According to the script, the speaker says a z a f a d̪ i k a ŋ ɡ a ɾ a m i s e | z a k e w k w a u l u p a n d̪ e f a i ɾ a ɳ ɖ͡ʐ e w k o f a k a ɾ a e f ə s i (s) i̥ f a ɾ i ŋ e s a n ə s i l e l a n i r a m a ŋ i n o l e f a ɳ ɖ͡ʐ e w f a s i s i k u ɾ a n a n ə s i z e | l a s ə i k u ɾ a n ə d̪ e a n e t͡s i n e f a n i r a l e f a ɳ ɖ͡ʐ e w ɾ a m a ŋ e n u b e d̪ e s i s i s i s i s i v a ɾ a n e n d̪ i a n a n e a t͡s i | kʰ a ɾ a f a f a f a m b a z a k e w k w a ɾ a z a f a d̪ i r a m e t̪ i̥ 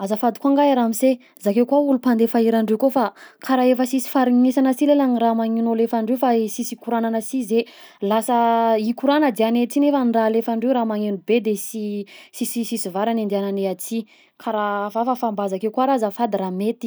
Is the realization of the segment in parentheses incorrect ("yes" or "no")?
no